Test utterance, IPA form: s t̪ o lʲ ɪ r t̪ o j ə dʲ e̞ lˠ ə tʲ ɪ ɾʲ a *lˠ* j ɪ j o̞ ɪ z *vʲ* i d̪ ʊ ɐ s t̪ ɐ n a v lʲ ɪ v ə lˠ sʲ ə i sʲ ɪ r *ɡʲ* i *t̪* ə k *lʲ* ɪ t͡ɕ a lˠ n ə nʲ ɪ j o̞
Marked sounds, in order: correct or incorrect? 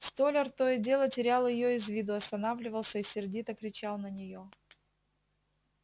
correct, correct, incorrect: dʲ, correct, incorrect: ɾʲ

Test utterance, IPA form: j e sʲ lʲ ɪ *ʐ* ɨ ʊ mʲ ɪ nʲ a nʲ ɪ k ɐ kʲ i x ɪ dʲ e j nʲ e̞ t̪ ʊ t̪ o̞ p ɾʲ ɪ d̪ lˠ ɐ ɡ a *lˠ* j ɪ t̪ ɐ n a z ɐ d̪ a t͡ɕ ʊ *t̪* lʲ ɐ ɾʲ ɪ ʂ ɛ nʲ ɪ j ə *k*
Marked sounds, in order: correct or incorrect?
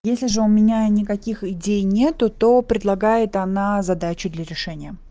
correct, incorrect: none, incorrect: d̪, incorrect: none

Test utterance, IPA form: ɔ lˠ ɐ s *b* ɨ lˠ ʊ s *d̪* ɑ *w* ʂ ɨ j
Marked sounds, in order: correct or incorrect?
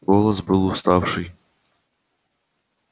correct, incorrect: t̪, correct

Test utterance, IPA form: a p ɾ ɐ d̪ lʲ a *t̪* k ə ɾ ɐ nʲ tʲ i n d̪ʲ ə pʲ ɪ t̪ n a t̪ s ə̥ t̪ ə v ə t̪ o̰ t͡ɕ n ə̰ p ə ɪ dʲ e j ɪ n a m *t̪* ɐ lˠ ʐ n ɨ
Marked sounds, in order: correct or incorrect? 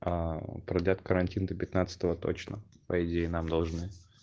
correct, incorrect: d̪

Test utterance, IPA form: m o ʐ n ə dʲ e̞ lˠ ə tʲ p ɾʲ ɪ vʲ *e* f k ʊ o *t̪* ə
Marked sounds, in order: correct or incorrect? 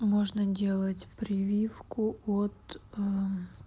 incorrect: i, correct

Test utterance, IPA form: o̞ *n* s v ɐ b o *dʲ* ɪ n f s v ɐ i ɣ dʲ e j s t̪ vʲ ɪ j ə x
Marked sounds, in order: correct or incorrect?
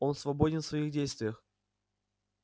correct, correct

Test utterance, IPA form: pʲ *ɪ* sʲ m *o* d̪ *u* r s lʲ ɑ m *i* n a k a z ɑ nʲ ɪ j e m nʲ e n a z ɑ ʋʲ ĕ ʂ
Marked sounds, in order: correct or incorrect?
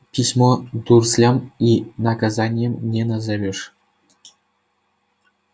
incorrect: i, correct, correct, correct

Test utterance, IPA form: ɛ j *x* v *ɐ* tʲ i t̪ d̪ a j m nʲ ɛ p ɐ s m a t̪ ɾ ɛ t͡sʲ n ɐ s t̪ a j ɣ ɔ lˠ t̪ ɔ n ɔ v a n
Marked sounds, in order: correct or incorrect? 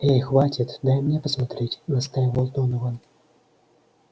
correct, incorrect: a

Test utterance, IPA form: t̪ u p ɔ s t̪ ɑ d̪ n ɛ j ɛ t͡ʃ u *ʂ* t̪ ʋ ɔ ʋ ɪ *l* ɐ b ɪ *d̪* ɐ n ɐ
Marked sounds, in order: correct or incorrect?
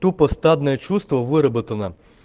incorrect: s, incorrect: ɾ, incorrect: t̪

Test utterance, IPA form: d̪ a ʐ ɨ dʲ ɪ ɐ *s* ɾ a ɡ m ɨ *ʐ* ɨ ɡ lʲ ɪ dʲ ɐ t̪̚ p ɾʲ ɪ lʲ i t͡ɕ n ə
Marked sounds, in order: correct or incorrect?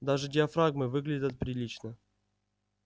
incorrect: f, incorrect: v

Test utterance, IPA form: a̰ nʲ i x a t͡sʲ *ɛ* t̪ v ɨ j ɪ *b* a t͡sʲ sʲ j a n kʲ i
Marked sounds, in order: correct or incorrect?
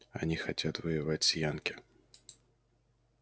incorrect: a, incorrect: v

